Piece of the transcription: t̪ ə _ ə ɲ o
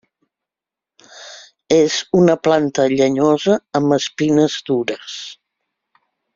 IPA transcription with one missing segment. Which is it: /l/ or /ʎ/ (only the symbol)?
ʎ